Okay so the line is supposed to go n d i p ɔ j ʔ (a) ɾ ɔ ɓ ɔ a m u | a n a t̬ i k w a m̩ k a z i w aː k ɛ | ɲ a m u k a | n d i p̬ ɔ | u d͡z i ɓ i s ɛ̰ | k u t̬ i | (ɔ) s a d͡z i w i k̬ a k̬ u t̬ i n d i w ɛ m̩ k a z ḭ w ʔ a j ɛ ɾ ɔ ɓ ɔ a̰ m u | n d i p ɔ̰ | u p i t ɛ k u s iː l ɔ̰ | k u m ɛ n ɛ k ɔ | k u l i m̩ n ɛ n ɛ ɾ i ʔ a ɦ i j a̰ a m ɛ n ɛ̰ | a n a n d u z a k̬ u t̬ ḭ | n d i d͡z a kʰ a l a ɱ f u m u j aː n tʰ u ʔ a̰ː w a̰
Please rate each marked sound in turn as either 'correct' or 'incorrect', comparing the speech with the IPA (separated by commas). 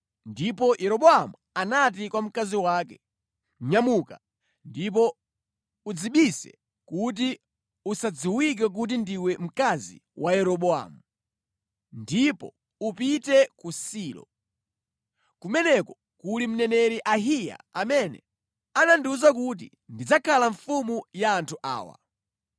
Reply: incorrect, incorrect